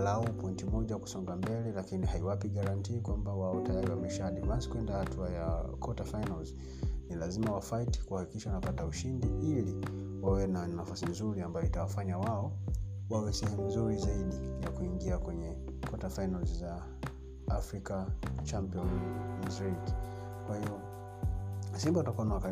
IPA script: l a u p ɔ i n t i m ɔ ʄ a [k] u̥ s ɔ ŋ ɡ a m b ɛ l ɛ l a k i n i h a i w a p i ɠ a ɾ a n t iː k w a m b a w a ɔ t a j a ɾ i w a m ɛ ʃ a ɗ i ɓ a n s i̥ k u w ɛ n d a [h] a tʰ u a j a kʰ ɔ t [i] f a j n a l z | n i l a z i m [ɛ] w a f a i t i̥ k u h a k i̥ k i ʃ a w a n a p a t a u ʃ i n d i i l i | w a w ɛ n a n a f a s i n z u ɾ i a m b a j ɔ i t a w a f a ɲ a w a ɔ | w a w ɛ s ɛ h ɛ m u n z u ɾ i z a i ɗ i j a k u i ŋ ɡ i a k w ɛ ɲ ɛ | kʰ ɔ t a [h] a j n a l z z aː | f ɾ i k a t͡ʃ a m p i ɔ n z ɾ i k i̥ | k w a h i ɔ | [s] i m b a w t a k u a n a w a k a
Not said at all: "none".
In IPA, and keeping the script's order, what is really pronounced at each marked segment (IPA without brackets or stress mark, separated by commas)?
k, h, a, a, f, s